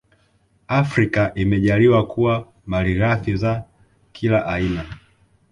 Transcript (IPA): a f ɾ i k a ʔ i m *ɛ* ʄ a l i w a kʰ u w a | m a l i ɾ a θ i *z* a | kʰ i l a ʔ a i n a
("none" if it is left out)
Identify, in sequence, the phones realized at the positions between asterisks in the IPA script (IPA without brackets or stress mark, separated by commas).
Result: ɛ, z